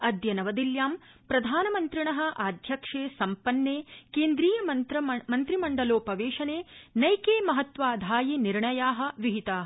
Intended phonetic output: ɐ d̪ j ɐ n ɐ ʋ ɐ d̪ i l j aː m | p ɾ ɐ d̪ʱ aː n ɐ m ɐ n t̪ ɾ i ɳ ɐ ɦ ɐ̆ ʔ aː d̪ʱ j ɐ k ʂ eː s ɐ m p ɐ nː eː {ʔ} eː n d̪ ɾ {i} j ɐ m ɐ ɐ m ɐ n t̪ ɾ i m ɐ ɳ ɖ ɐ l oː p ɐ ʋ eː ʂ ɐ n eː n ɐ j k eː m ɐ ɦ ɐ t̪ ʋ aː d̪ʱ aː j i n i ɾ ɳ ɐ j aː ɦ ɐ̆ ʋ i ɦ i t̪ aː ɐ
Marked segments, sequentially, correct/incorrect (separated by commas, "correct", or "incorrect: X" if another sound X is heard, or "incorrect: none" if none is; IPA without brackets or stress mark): incorrect: k, incorrect: iː